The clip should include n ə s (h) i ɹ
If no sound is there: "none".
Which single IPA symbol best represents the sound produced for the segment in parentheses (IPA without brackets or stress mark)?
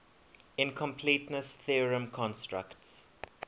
θ